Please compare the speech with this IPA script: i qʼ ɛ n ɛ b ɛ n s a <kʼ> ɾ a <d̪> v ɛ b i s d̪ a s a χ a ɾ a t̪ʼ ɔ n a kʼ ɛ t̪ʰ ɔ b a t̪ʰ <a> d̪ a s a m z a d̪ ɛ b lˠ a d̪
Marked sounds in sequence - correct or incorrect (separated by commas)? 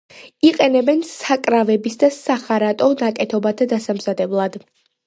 correct, incorrect, correct